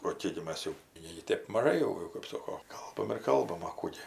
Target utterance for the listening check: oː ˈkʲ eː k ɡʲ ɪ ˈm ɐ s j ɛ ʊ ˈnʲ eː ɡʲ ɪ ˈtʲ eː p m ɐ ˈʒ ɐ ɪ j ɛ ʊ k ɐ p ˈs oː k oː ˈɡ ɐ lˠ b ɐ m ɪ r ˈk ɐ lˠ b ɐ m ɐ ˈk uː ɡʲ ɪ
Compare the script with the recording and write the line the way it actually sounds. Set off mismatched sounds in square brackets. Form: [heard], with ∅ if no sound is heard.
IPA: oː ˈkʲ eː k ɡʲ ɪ ˈm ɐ s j ɛ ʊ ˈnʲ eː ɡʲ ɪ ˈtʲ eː p m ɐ ˈʒ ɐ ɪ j ɛ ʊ k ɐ p ˈs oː k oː [ˈk] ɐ lˠ b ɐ m ɪ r ˈk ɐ lˠ b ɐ m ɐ ˈk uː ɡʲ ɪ